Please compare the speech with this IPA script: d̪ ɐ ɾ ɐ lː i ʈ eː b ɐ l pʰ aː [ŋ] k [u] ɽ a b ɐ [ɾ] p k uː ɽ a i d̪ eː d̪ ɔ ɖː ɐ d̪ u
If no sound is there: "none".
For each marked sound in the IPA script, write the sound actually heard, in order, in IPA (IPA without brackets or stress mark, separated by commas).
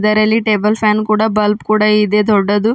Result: n, uː, l